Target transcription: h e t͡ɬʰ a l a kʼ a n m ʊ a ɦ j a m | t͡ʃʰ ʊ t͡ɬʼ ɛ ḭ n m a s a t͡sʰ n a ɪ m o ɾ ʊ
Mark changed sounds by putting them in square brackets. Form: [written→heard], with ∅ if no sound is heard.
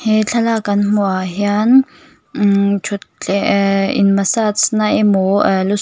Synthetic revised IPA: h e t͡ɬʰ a l a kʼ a n m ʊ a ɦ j a [m→n] | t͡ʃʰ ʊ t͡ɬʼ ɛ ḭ n m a s a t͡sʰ n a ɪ m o [ɾ→l] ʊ